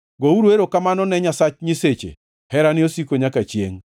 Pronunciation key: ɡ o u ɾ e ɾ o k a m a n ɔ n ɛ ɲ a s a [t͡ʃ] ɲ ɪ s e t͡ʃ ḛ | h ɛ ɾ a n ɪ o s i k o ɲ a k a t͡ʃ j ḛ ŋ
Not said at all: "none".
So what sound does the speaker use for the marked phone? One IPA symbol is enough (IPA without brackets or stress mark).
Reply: t͡ʃ